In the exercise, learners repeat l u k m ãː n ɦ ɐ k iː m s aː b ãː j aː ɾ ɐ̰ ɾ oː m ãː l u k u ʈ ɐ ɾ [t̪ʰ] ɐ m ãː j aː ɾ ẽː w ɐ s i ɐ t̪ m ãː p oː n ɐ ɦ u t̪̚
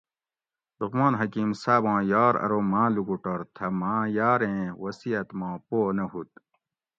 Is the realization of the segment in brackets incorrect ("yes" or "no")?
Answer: no